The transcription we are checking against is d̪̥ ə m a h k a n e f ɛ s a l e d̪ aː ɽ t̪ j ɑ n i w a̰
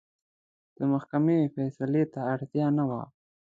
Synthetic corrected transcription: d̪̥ ə m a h k a m e f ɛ s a l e t̪ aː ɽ t̪ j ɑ n a w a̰